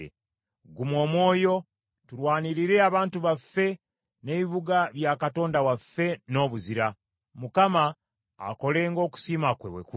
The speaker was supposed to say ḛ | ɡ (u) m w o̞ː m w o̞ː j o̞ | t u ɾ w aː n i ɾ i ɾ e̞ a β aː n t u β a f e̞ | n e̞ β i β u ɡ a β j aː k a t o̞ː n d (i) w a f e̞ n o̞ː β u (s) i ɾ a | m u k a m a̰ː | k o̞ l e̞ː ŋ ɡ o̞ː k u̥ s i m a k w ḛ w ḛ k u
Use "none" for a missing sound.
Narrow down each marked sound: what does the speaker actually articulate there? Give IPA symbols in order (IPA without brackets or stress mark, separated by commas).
u, a, z